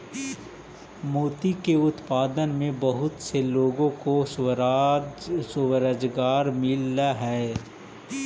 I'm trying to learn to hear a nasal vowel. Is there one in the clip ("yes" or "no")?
yes